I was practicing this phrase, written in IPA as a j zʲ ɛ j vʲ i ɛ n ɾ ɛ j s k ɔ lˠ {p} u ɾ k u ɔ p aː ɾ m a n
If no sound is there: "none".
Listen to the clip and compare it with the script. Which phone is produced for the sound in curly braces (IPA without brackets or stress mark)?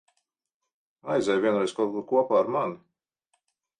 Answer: k